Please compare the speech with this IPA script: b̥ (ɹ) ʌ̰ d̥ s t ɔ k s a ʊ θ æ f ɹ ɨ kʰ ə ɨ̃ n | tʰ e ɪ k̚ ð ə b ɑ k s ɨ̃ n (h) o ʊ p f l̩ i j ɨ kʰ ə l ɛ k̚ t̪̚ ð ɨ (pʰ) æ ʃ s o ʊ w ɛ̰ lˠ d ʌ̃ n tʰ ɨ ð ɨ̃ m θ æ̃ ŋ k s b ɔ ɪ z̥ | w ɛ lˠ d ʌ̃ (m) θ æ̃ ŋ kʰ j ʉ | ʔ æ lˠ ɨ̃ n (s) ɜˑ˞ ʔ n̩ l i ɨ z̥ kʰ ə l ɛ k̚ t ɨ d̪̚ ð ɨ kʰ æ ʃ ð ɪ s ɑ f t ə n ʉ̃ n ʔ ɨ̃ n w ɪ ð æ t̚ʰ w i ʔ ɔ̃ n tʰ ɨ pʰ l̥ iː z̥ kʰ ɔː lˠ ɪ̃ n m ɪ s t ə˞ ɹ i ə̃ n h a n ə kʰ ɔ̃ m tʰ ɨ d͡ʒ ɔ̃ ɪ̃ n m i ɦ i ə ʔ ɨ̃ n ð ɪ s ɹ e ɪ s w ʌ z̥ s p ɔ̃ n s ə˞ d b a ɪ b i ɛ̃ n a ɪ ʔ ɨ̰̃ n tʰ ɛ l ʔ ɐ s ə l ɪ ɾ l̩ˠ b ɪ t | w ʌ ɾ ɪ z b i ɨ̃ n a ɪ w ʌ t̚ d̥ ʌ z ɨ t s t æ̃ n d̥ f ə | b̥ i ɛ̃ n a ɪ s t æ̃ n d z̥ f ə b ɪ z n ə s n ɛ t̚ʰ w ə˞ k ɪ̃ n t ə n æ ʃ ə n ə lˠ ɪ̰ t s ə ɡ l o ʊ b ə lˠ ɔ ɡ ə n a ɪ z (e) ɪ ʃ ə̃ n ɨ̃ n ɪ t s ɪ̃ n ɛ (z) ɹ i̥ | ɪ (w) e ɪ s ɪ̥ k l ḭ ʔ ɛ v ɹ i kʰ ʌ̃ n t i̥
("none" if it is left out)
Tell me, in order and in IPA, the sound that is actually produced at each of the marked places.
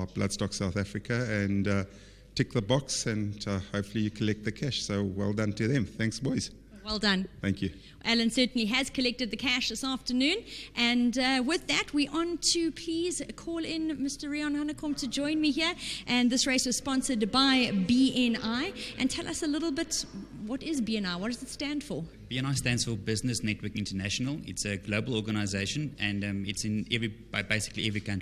l, h, kʰ, n, s, e, v, b

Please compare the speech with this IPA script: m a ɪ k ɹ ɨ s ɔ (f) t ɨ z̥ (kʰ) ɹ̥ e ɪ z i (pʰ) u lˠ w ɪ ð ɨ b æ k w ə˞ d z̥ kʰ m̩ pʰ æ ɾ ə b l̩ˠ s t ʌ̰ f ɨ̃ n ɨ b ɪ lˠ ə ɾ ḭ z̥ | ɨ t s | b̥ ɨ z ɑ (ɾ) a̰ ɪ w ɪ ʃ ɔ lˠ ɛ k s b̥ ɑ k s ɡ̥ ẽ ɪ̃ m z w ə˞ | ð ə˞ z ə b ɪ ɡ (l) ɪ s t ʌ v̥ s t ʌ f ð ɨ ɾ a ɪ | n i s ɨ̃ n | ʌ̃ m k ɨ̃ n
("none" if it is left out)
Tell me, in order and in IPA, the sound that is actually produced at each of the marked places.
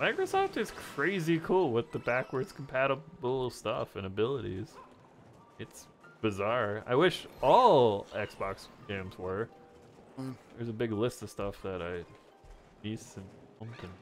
f, kʰ, kʰ, ɹ, l

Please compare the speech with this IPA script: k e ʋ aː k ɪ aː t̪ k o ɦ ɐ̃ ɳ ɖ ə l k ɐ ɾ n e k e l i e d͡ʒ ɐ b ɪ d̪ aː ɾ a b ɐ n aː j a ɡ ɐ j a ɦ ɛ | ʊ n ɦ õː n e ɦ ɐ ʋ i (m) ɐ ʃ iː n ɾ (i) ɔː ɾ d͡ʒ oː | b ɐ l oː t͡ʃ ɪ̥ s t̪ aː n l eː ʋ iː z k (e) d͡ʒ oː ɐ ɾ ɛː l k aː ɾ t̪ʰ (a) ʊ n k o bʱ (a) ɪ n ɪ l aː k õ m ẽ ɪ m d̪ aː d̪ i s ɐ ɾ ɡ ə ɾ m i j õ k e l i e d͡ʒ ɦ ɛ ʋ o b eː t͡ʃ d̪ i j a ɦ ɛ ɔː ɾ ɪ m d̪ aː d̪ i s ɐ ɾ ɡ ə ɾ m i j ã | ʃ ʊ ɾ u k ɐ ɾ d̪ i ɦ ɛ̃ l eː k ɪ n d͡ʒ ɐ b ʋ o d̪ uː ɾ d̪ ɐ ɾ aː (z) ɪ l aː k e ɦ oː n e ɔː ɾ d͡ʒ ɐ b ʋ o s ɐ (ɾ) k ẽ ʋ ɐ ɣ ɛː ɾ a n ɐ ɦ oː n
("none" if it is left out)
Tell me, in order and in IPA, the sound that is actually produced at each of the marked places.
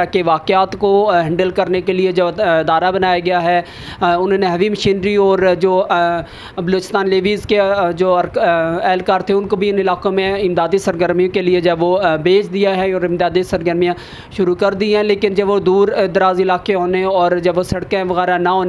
m, i, e, e, i, z, ɽ

